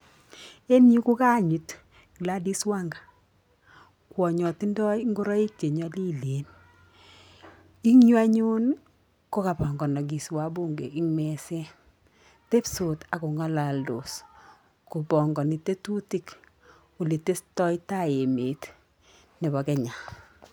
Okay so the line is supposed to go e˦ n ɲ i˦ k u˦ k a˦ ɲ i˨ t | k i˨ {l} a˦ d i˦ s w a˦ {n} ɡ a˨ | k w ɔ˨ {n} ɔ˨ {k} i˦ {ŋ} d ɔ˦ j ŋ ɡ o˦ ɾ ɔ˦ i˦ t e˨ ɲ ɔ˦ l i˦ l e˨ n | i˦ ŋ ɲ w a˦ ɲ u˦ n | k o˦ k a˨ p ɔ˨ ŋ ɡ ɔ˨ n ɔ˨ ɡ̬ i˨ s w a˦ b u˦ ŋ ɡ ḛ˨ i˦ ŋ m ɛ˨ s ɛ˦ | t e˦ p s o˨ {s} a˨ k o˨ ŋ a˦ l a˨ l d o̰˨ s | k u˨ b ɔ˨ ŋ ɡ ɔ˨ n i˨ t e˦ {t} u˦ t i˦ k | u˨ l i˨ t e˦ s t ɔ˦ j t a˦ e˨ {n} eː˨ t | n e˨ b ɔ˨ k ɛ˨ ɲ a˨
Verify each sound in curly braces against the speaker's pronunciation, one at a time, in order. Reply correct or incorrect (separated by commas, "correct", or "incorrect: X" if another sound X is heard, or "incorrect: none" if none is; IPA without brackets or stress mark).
correct, incorrect: ŋ, incorrect: ɲ, incorrect: t, incorrect: n, incorrect: t, correct, incorrect: m